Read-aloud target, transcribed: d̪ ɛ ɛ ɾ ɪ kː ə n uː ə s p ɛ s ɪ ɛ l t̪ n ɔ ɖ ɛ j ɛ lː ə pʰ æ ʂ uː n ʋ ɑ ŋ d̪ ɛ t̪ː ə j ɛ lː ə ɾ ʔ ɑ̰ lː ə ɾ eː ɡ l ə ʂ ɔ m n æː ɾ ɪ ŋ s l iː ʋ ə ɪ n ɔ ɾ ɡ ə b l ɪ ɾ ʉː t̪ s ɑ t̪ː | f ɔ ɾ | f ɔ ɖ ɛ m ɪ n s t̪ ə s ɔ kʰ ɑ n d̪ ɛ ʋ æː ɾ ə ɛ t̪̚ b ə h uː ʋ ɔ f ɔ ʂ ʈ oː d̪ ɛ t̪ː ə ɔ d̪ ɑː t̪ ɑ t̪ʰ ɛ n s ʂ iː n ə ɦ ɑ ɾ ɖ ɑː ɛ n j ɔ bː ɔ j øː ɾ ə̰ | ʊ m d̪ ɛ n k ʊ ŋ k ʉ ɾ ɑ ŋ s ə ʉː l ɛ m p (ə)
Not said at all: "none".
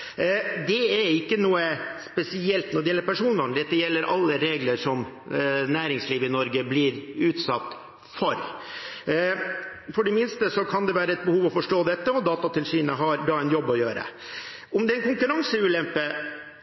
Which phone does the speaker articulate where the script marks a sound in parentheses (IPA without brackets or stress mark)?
ə